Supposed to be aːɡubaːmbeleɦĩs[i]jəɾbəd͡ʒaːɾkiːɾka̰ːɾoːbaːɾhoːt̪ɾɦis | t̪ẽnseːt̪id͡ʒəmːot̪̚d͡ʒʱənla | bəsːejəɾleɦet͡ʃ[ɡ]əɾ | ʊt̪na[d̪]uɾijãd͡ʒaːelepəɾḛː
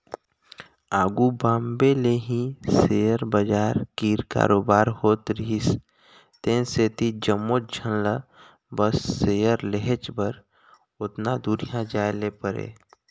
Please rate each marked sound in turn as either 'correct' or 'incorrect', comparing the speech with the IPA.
incorrect: e, incorrect: b, correct

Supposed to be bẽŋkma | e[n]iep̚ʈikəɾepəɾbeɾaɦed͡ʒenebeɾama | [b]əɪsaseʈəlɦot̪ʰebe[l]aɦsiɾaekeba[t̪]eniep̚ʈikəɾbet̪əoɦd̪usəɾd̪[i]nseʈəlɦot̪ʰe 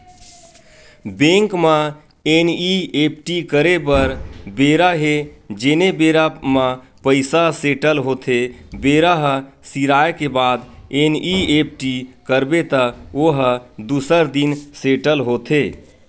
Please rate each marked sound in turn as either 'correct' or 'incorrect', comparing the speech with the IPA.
correct, incorrect: p, incorrect: ɾ, incorrect: d̪, correct

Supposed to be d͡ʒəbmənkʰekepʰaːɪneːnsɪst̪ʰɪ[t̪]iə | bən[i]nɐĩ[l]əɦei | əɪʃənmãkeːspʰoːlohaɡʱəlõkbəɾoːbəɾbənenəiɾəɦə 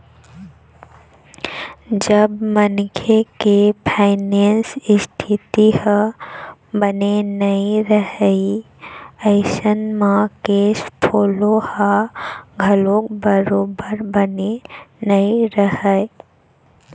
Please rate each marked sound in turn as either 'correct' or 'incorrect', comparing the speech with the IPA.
correct, incorrect: e, incorrect: ɾ

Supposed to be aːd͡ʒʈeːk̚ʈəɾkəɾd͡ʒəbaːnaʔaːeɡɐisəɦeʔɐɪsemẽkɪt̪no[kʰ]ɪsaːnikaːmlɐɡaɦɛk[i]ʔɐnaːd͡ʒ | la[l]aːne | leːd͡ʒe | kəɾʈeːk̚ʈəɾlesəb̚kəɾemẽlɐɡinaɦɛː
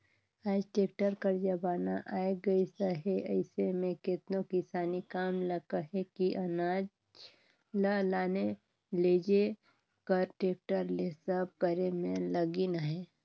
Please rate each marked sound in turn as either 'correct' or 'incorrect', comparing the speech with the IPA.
incorrect: k, correct, correct

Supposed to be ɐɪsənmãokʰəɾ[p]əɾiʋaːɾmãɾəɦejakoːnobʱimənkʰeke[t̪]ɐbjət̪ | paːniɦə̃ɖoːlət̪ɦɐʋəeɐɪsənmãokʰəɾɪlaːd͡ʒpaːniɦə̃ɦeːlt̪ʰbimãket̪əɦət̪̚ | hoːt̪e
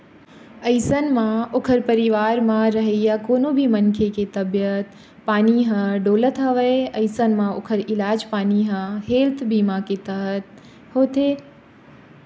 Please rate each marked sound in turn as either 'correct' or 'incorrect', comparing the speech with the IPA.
correct, correct

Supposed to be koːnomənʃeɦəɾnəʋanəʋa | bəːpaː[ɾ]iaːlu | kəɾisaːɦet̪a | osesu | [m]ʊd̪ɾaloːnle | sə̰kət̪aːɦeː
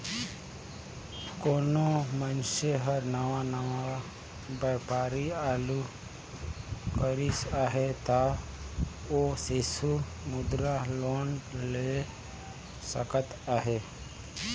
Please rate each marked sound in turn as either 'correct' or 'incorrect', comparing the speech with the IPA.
correct, correct

